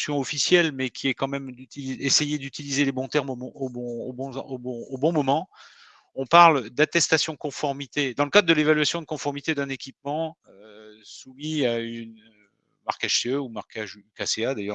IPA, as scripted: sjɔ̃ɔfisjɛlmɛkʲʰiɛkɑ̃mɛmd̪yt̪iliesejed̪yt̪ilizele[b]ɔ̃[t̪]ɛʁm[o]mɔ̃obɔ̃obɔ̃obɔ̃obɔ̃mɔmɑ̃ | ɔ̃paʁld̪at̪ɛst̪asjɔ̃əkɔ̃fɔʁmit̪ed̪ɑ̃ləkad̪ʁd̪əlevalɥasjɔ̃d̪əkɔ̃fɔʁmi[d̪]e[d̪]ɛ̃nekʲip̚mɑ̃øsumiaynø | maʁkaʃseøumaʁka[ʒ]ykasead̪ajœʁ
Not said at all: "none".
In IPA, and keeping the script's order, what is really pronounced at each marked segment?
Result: b, t̪, o, t̪, d̪, ʒ

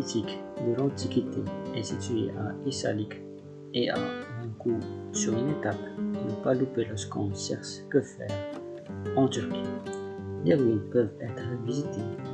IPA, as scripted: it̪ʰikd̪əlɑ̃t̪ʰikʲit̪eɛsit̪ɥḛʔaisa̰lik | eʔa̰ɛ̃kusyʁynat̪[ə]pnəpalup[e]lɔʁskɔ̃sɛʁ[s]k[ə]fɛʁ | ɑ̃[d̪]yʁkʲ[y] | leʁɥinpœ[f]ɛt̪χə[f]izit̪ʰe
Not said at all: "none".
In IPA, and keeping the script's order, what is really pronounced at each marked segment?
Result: a, e, s, ə, t̪, i, v, v

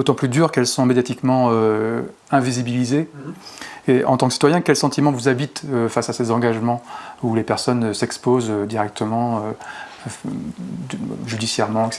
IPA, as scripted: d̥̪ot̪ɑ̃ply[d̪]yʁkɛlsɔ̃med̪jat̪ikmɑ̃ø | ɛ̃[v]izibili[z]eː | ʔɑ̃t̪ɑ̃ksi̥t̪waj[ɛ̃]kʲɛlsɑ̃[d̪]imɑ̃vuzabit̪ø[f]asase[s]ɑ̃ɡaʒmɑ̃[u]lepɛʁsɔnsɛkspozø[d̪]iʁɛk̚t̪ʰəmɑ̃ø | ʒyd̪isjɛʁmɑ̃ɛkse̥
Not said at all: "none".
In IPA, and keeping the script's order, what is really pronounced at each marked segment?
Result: d̪, v, z, ɛ̃, t̪, f, z, u, d̪

